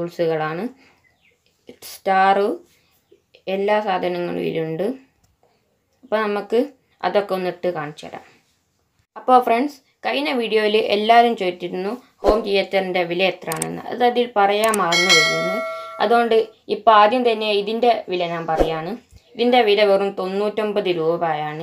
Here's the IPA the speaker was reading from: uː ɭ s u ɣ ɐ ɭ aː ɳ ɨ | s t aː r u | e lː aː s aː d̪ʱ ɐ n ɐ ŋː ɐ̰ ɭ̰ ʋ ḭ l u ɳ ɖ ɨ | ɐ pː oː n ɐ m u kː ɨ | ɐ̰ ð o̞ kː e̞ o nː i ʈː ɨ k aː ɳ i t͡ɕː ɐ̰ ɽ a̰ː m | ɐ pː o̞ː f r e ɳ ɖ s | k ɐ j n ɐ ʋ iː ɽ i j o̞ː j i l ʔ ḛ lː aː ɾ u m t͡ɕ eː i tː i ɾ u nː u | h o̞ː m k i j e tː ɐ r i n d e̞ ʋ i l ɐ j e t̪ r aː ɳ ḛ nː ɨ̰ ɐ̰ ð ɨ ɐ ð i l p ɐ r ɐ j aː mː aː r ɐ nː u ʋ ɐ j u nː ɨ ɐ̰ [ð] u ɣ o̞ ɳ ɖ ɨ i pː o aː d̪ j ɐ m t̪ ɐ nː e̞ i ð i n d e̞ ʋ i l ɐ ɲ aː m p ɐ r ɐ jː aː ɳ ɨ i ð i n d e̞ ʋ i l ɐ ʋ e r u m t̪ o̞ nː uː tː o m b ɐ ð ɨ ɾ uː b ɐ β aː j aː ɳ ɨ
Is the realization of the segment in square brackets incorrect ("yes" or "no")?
no